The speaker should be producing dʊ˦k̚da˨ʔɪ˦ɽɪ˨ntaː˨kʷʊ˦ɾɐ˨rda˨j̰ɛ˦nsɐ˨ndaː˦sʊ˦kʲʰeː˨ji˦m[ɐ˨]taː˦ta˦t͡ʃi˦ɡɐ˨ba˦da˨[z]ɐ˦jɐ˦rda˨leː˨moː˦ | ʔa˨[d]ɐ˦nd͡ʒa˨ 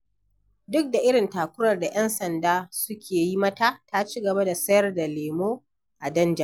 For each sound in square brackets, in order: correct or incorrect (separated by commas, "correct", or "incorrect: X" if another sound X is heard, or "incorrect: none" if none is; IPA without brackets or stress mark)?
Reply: incorrect: ɐ˦, incorrect: s, correct